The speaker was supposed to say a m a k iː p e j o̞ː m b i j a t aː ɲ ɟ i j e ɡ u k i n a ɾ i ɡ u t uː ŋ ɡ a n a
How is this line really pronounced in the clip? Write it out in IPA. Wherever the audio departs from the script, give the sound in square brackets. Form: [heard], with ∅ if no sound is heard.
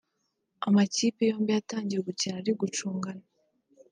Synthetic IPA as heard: a m a [c] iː p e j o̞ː m b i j a t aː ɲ ɟ i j e ɡ u [c] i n a ɾ i ɡ u [t͡ʃ] uː ŋ ɡ a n a